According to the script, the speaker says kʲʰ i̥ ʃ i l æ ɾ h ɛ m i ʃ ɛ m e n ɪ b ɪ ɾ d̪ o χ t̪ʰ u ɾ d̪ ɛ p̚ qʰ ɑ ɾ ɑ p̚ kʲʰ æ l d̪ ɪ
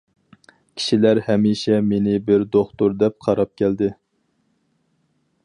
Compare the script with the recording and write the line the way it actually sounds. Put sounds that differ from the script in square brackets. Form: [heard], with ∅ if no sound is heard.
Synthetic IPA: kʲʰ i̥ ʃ i l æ ɾ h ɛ m i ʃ ɛ m e n ɪ b ɪ ɾ d̪ o χ [t̪] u ɾ d̪ ɛ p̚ qʰ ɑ ɾ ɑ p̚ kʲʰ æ l d̪ ɪ